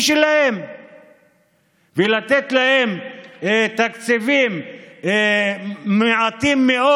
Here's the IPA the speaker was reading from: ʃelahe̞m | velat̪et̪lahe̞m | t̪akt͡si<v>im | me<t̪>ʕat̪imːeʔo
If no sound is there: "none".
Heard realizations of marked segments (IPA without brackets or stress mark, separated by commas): v, none